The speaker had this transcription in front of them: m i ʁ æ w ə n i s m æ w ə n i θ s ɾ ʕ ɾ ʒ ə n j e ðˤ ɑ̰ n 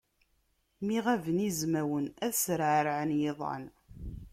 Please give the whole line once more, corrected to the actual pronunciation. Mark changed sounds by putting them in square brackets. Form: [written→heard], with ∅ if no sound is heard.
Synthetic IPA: m i ʁ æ [w→v] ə n i [s→z] m æ w ə n [i→æ] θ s ɾ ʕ ɾ [ʒ→ʕ] ə n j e ðˤ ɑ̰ n